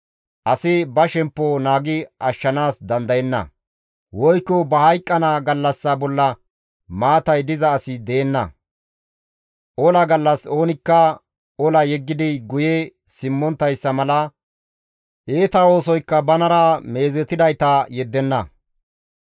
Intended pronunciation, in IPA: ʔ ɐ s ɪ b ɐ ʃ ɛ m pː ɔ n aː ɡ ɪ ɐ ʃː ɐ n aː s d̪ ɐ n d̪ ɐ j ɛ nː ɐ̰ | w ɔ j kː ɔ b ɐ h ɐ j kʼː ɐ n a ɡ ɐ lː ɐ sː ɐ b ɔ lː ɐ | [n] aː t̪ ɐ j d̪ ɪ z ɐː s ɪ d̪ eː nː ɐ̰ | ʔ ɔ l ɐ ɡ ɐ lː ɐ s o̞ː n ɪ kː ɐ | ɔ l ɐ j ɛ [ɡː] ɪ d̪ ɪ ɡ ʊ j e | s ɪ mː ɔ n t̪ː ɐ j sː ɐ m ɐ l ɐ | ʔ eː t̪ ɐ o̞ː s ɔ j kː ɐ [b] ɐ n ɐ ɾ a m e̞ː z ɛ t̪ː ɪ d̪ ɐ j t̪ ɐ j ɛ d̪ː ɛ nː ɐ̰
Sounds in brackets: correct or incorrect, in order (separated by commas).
incorrect, correct, correct